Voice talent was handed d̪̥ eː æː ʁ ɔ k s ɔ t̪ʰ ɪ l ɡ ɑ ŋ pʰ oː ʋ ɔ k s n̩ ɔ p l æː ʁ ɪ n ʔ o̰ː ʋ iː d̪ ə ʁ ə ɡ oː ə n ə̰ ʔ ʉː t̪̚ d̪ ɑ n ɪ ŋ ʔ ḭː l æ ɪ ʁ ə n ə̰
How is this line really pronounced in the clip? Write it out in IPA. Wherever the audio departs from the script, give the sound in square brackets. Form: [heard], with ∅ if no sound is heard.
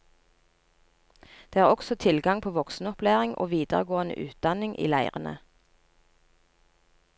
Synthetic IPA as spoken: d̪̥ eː æː ʁ ɔ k s ɔ t̪ʰ ɪ l ɡ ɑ ŋ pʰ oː ʋ ɔ k s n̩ ɔ p l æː ʁ ɪ [ŋ] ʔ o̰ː ʋ iː d̪ ə ʁ ə ɡ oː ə n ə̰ ʔ ʉː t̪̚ d̪ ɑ n ɪ ŋ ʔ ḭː l æ ɪ ʁ ə n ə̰